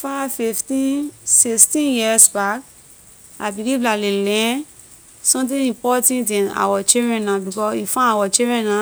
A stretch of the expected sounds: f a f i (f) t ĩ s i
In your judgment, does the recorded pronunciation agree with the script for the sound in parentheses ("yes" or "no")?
yes